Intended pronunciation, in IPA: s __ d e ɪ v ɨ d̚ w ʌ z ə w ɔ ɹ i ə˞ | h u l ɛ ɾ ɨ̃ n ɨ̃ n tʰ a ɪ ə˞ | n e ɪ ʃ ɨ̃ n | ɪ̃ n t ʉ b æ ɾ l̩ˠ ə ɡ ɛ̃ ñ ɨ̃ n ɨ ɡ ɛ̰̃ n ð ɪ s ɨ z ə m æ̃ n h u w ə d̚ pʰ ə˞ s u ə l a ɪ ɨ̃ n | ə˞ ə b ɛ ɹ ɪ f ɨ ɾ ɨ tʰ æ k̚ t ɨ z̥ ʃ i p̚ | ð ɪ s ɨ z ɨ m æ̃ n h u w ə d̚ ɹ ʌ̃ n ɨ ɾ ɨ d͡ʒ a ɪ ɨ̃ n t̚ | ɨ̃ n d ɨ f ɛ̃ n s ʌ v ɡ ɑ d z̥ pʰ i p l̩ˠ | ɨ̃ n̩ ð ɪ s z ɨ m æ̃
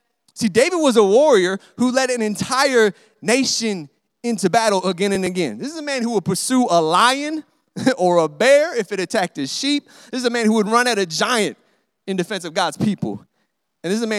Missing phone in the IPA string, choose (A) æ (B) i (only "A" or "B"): B